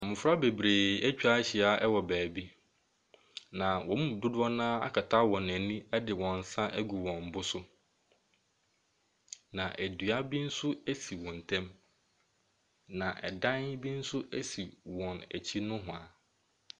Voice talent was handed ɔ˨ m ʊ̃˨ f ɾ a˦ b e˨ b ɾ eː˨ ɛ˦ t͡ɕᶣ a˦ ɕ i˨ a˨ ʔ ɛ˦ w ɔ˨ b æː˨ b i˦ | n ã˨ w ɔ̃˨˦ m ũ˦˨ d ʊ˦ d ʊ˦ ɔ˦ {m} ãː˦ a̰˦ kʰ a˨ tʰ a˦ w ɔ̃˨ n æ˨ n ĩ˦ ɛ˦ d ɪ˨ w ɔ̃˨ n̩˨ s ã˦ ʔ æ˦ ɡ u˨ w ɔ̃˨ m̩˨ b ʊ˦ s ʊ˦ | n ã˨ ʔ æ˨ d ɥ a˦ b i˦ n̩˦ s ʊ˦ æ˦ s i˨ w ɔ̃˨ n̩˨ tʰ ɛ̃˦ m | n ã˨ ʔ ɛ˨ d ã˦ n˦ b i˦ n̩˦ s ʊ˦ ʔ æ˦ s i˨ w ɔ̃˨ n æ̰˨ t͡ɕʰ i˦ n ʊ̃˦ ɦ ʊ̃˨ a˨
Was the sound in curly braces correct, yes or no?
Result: no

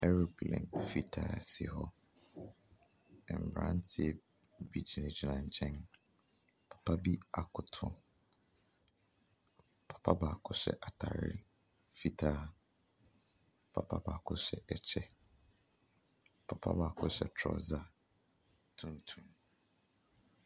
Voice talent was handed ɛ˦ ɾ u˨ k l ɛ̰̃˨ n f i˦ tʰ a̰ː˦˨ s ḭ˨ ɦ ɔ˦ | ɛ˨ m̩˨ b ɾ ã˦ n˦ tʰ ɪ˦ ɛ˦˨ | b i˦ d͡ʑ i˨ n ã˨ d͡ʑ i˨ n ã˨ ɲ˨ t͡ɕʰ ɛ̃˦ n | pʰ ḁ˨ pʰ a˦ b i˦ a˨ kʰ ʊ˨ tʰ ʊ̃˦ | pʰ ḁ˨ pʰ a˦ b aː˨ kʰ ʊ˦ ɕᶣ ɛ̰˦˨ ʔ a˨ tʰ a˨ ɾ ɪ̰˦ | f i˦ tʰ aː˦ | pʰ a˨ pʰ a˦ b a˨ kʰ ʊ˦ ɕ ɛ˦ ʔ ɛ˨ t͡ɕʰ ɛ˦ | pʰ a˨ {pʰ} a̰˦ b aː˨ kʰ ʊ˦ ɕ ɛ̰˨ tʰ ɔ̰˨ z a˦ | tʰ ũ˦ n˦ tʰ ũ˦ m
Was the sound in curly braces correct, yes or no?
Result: yes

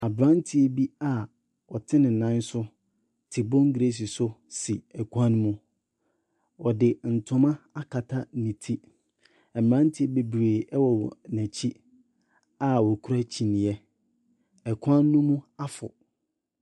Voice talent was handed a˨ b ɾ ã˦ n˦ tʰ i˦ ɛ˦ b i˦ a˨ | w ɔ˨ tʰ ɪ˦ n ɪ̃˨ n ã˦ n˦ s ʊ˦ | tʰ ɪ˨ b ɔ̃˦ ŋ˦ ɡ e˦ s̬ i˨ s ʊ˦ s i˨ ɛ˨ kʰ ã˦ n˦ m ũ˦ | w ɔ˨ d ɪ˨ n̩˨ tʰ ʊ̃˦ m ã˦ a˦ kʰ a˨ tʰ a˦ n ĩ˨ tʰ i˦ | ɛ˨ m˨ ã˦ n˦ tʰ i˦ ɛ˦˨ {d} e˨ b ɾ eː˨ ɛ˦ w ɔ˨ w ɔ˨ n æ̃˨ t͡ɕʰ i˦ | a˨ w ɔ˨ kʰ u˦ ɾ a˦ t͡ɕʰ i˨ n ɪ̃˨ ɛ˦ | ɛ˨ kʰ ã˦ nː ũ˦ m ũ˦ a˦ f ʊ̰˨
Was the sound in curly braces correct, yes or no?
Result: no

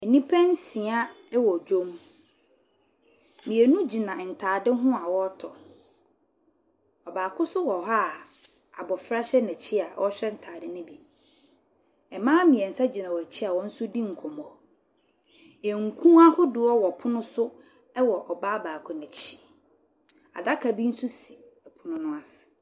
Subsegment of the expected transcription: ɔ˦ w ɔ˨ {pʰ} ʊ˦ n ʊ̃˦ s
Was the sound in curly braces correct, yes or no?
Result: yes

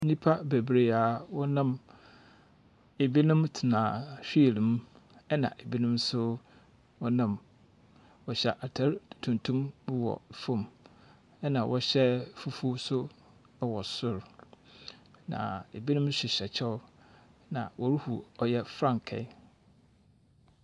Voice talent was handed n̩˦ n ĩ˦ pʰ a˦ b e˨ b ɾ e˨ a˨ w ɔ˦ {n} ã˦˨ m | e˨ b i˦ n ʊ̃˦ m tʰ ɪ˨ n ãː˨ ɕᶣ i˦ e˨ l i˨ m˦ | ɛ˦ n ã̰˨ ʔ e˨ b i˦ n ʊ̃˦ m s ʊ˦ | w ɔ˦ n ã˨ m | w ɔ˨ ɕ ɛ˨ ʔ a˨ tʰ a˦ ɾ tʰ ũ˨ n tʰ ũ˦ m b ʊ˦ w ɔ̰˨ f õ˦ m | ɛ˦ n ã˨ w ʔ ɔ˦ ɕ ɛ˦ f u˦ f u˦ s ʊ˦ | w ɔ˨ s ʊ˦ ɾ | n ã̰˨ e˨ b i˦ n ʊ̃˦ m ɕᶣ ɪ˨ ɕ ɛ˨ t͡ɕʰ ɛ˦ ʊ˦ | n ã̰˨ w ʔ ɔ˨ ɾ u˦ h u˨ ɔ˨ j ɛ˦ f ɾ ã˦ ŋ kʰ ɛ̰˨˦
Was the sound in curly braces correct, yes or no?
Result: yes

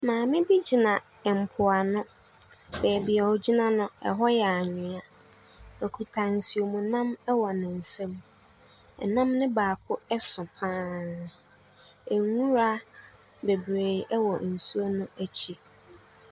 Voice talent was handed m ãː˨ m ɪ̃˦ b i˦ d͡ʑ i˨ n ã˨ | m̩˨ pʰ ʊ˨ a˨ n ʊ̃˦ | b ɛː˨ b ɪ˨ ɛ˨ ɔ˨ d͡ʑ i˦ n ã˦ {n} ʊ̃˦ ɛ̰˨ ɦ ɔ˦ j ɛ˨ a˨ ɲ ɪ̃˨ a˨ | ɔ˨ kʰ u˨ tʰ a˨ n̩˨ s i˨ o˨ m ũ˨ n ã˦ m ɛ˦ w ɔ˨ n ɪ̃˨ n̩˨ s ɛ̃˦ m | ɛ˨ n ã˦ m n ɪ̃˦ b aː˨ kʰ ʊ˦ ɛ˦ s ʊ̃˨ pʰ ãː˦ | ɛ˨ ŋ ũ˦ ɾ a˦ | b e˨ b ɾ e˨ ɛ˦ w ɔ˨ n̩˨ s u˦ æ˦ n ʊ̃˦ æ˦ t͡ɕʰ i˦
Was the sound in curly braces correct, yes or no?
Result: yes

